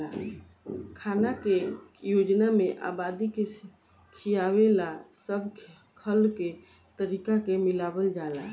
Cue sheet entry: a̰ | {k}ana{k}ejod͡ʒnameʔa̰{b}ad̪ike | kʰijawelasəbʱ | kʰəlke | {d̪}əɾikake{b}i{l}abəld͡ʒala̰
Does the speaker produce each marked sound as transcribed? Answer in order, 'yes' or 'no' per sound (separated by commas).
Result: no, yes, yes, no, no, yes